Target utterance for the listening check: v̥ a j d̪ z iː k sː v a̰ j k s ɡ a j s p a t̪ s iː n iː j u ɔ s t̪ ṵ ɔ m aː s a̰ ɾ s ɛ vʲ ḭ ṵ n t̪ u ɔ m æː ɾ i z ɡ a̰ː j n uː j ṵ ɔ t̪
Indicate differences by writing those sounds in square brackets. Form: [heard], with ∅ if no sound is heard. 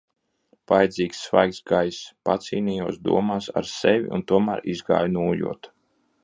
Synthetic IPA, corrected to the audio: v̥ a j d̪ z iː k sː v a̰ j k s ɡ a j s p a t̪ s iː n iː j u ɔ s [d̪] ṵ ɔ m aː s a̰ ɾ s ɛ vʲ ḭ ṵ n t̪ u ɔ m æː ɾ i z ɡ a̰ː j n uː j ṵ ɔ t̪